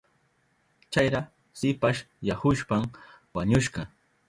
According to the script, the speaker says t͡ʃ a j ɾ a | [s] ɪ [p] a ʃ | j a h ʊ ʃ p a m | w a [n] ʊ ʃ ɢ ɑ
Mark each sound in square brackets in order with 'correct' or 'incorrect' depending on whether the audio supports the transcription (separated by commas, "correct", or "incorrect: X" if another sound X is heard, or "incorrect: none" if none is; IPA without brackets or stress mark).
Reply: correct, correct, incorrect: ɲ